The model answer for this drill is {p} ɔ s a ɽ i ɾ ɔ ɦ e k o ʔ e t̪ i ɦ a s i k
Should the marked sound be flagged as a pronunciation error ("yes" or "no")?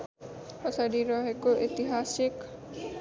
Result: no